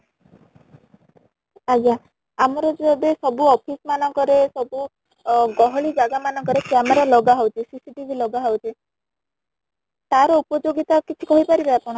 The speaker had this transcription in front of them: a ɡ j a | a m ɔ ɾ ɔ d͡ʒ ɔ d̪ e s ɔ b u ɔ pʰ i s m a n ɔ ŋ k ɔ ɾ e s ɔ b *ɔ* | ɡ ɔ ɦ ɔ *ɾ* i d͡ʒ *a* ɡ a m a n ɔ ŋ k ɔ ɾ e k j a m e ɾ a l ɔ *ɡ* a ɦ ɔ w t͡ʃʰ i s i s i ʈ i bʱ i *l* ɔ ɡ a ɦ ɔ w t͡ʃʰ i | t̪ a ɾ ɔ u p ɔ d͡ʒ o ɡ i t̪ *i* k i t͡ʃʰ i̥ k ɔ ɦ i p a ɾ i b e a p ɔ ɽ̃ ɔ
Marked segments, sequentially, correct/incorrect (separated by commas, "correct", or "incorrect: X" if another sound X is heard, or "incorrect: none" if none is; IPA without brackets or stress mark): incorrect: u, incorrect: ɭ, correct, correct, correct, incorrect: a